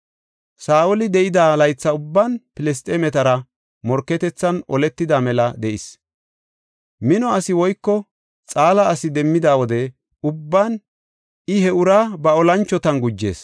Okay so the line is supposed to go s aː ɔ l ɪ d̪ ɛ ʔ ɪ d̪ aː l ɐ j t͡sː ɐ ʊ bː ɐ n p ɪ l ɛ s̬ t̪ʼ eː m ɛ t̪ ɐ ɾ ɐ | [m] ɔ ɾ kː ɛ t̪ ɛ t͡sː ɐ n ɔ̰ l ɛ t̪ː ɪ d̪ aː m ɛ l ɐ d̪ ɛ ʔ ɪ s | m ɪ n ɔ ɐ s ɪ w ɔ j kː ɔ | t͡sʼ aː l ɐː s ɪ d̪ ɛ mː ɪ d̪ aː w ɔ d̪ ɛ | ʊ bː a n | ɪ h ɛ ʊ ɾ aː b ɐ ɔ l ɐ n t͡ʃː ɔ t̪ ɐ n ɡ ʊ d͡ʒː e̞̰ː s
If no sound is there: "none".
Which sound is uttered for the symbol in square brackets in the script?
m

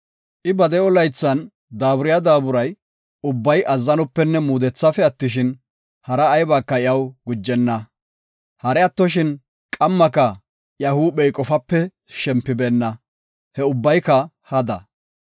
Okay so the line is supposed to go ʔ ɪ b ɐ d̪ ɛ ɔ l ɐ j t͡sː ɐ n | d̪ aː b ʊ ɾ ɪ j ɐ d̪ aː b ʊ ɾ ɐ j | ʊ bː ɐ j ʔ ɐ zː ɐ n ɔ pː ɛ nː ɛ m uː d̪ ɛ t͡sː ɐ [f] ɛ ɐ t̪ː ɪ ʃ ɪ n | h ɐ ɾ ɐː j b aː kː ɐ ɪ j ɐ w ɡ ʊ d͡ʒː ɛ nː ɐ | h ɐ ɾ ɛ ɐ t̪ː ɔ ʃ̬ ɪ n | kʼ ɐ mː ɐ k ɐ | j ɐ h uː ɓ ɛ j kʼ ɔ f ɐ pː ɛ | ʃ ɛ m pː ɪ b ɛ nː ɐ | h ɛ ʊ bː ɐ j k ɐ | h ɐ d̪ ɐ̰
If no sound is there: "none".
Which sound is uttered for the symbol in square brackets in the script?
f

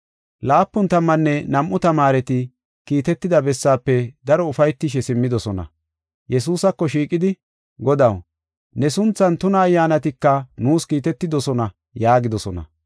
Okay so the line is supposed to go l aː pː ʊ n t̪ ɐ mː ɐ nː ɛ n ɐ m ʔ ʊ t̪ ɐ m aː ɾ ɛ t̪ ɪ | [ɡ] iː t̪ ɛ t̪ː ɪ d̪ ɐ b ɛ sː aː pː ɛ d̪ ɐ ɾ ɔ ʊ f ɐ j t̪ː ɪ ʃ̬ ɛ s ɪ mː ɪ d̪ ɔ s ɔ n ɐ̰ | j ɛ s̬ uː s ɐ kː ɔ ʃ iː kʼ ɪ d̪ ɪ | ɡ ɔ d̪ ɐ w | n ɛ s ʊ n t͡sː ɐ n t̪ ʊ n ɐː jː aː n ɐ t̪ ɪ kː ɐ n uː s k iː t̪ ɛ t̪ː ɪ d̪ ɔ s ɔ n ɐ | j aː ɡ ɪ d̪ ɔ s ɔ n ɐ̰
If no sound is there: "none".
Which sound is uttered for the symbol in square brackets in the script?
k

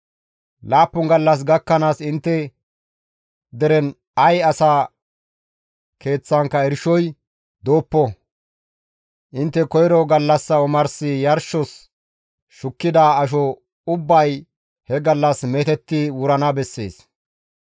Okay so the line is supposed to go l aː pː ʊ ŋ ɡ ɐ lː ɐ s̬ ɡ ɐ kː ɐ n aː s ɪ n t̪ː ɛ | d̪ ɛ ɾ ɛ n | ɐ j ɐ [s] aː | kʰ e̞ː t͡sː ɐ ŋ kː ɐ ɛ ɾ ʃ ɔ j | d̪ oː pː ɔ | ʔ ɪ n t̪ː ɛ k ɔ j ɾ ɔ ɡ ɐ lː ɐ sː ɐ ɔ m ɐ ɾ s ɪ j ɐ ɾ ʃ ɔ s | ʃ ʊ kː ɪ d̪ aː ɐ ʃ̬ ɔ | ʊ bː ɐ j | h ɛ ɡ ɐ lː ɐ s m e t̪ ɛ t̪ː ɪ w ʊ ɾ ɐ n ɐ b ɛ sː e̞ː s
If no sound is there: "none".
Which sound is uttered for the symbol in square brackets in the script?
s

